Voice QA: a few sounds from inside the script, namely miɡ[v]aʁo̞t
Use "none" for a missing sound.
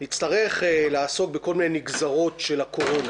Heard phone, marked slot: z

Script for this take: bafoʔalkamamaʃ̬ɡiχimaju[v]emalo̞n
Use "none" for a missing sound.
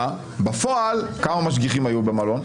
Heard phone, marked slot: b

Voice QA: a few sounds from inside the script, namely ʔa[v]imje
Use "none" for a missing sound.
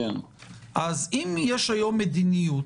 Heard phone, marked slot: z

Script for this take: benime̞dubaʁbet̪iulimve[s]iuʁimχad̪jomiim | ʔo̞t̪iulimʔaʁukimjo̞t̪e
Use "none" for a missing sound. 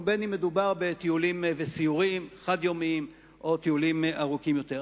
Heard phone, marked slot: s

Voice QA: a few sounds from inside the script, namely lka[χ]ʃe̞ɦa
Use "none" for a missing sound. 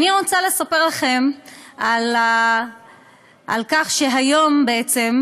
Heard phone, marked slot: χ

